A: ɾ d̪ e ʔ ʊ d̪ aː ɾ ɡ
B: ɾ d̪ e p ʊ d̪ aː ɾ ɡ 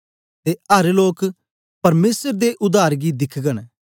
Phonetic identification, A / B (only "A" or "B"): A